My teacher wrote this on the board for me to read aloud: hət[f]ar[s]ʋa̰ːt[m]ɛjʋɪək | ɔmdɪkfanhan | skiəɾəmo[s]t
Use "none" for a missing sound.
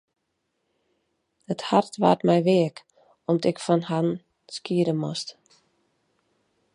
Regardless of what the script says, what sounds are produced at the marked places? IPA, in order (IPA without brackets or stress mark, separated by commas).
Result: h, t, m, s